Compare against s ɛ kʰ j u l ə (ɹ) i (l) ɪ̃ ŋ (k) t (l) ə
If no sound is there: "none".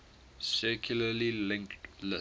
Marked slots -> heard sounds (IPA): l, l, k, l

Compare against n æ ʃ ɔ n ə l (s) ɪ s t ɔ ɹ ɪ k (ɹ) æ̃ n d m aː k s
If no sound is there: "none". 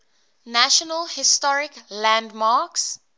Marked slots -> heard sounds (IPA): h, l

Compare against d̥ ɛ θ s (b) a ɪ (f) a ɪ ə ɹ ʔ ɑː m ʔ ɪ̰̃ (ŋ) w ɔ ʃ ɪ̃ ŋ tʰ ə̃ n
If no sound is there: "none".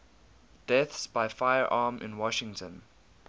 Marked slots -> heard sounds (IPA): b, f, n

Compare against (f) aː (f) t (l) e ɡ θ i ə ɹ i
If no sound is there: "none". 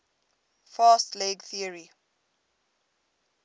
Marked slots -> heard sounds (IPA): f, s, l

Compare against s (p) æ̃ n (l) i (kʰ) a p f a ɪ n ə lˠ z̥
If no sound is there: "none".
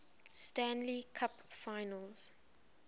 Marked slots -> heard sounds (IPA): t, l, kʰ

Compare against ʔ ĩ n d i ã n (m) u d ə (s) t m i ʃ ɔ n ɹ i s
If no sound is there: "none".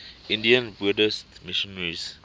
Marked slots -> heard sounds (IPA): b, s

